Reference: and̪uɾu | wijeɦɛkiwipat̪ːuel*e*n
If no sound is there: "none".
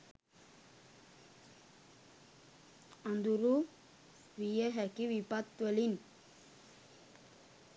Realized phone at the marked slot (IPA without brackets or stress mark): i